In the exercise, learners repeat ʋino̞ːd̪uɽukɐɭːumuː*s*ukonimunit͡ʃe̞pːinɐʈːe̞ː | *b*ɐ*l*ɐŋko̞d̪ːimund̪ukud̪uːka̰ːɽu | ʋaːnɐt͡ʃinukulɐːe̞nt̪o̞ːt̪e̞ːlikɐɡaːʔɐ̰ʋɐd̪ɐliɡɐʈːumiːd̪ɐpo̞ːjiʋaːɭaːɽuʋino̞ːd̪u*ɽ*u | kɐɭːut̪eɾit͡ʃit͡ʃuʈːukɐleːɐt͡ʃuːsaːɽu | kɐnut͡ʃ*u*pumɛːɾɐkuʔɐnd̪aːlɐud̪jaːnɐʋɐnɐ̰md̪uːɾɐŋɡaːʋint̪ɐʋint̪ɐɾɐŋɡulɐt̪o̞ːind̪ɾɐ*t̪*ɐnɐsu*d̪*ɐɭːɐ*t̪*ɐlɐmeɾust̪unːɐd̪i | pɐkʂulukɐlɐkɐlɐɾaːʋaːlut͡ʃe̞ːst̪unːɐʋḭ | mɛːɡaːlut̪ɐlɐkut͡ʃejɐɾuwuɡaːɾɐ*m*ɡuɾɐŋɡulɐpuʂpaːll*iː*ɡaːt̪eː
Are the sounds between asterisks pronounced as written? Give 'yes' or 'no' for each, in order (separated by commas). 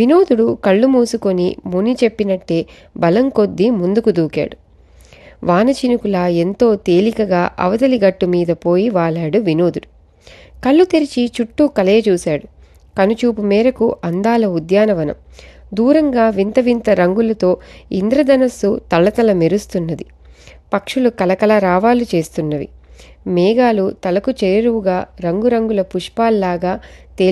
yes, yes, yes, yes, no, no, no, yes, no, no